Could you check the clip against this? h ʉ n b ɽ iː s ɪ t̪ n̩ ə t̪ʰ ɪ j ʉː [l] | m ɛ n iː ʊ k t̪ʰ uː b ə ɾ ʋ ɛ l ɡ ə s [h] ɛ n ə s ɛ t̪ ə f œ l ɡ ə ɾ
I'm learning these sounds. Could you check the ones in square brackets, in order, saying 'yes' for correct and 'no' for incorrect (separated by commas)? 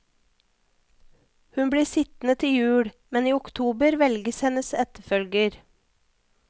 no, yes